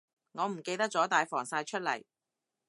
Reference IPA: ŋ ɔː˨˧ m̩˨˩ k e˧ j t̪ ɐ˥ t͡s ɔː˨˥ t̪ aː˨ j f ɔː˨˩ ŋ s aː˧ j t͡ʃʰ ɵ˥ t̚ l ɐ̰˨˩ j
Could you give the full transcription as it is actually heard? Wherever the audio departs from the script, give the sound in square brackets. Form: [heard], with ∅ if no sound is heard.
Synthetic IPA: ŋ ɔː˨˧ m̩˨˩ k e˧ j t̪ ɐ˥ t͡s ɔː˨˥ t̪ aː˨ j f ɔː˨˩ ŋ s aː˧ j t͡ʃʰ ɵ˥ t̚ l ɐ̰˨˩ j